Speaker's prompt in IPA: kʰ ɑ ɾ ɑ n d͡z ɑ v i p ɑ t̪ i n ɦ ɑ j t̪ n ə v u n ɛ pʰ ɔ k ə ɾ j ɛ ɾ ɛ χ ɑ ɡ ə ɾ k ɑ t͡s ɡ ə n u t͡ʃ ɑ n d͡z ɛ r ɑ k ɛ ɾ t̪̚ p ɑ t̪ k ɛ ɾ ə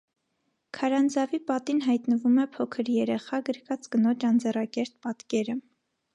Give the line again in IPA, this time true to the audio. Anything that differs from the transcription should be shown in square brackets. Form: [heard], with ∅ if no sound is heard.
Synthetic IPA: kʰ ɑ ɾ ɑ n d͡z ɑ v i p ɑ t̪ i n ɦ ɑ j t̪ n ə v u [m] ɛ pʰ ɔ [kʰ] ə ɾ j ɛ ɾ ɛ χ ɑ ɡ ə ɾ k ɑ t͡s ɡ ə n [ɔ] t͡ʃ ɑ n d͡z ɛ r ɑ k ɛ ɾ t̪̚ p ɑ t̪ k ɛ ɾ ə